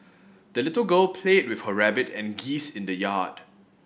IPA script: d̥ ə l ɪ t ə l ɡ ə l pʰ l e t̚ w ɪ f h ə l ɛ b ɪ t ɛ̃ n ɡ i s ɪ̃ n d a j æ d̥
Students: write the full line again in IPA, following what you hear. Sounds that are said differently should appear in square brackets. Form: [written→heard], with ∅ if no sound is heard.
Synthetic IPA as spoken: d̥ ə l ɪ t ə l ɡ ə l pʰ l e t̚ w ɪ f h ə [l→ɹ] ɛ b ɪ t ɛ̃ n ɡ i s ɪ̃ n d [a→ə] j [æ→a] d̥